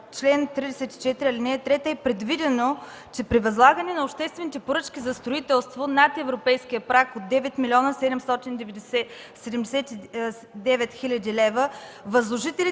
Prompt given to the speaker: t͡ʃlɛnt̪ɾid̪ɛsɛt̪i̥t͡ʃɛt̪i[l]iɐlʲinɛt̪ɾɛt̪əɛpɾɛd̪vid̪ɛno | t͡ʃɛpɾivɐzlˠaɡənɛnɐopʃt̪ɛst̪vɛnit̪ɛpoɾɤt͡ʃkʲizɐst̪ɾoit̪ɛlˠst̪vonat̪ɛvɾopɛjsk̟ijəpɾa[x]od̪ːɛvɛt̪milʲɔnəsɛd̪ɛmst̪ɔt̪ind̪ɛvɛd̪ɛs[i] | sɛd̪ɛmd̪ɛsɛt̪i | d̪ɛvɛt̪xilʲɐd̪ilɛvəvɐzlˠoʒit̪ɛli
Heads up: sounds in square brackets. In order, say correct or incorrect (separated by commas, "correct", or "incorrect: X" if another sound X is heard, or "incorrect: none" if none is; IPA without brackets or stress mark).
incorrect: ɾ, incorrect: k, incorrect: ɛ